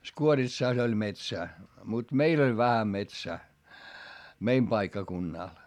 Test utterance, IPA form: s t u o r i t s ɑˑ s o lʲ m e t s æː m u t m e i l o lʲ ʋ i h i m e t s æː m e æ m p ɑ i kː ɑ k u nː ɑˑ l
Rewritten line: s k u o r i t s ɑˑ s o lʲ m e t s æː m u t m e i l o lʲ ʋ æ h æ m e t s æː m e i m p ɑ i kː ɑ k u nː ɑˑ l

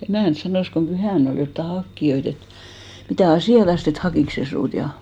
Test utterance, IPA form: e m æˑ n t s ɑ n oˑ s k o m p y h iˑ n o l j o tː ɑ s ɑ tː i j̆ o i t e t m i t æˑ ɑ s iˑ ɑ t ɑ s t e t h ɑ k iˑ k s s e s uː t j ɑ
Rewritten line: e m æˑ n t s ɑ n oˑ s k o m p y h æˑ n o l j o tː ɑ h ɑ kː i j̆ o i t e t m i t æˑ ɑ s iˑ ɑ t ɑ s t e t h ɑ k iˑ k s s e s uː t j ɑ

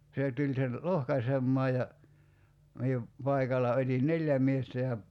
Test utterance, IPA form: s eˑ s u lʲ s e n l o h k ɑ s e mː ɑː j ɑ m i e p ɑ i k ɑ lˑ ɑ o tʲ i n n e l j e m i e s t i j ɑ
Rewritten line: s eˑ t u lʲ s e n l o h k ɑ s e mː ɑː j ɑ m i e p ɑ i k ɑ lˑ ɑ o tʲ i n n e l j æ m i e s t æ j ɑ

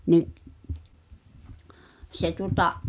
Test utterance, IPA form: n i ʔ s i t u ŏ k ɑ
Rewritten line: n i ʔ s e t u ŏ t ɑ

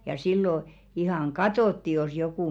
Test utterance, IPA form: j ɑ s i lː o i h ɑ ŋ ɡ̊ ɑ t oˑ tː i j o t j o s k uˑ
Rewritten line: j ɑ s i lː o i h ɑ ŋ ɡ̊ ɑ t oˑ tː i j o s j o k uˑ

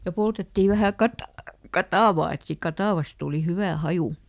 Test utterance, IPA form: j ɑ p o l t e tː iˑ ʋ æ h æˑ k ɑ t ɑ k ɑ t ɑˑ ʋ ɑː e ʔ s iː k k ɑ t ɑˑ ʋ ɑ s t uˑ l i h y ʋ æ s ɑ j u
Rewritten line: j ɑ p o l t e tː iˑ ʋ æ h æˑ k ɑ t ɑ k ɑ t ɑˑ ʋ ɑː e t s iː k k ɑ t ɑˑ ʋ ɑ s t uˑ l i h y ʋ æ h ɑ j u

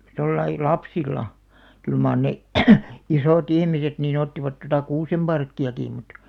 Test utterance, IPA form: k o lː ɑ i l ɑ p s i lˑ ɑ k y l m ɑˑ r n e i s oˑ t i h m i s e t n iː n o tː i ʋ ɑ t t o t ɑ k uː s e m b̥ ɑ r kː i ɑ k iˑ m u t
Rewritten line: t o lː ɑ i l ɑ p s i lˑ ɑ k y l m ɑˑ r n e i s oˑ t i h m i s e t n iː n o tː i ʋ ɑ t t o t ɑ k uː s e m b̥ ɑ r kː i ɑ k iˑ m u t

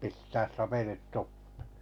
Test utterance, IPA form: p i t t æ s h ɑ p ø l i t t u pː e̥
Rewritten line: p i s t æː s s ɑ p e l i t t u pː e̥

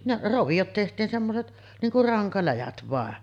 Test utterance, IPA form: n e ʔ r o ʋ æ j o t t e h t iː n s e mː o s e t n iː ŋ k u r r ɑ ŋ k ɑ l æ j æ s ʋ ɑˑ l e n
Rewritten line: n e ʔ r o ʋ i j o t t e h t iː n s e mː o s e t n iː ŋ k u r r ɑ ŋ k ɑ l æ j æ t ʋ ɑˑ e n

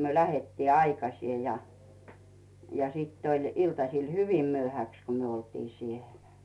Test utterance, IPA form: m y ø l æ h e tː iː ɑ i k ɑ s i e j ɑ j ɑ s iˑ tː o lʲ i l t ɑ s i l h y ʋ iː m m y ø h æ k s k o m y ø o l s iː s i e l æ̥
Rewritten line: m y ø l æ h e tː iː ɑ i k ɑ s i e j ɑ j ɑ s iˑ tː o lʲ i l t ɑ s i l h y ʋ i m m y ø h æ k s k o m y ø o l t iː s i e l æ̥

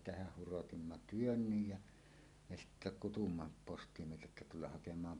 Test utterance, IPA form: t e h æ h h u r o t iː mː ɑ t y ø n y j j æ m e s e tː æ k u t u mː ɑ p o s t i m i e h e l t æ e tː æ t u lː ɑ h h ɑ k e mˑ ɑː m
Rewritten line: t e h æ h h u r o t i mː ɑ t y ø nː y j j æ m e s i tː æ k u t u mː ɑ p o s t i m i e h e l t æ e tː æ t u lː ɑ h h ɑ k e mˑ ɑː m

